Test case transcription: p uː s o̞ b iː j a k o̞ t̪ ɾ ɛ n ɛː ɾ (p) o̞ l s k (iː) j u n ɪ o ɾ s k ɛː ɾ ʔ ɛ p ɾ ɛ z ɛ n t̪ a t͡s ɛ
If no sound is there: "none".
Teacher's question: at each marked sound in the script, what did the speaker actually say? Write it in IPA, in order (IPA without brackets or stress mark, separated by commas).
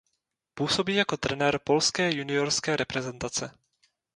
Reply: p, ɛː